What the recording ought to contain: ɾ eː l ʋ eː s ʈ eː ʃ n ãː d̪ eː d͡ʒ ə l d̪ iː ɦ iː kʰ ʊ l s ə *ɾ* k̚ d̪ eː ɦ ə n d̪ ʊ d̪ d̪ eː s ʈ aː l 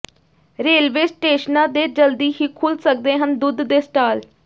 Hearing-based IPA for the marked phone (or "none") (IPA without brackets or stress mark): none